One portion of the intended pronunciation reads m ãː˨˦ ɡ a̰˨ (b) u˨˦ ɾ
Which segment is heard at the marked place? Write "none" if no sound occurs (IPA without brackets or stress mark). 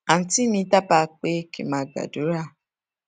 d